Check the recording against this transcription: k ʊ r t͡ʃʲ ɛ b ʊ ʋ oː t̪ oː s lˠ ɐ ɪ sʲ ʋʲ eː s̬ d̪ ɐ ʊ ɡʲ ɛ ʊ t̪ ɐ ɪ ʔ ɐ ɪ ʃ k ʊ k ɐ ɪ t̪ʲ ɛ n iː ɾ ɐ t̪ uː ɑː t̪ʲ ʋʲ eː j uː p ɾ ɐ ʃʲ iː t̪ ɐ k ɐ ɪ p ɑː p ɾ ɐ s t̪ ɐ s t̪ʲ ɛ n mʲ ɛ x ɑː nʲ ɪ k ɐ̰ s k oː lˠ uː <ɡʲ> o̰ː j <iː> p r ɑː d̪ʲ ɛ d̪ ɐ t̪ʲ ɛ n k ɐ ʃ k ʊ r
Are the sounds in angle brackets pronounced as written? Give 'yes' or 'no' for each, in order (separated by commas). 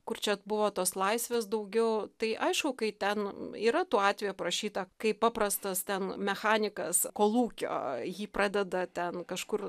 no, yes